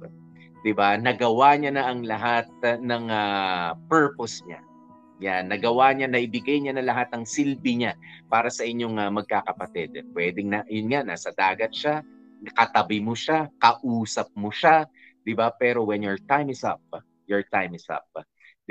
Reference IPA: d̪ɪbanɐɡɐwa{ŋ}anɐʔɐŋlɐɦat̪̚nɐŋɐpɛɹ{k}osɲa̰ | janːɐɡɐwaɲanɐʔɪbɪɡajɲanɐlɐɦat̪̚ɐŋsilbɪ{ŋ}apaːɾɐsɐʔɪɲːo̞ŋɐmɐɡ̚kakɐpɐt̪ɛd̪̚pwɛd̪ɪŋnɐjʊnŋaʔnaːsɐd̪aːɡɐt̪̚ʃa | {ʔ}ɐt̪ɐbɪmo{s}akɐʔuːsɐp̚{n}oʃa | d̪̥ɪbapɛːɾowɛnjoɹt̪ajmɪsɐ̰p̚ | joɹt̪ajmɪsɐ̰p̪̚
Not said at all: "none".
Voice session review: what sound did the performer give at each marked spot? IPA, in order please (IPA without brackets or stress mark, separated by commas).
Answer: ɲ, p, ɲ, k, ʃ, m